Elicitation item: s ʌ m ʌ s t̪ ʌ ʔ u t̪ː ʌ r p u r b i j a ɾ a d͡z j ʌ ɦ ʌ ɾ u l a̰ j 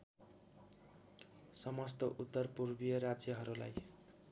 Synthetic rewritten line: s ʌ m ʌ s t̪ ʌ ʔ u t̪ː ʌ r p u r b i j ʌ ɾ a d͡z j ʌ ɦ ʌ ɾ u l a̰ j